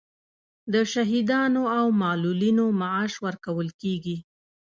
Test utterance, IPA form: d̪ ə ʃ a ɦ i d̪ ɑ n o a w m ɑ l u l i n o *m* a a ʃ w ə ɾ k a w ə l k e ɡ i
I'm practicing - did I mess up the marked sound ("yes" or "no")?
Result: no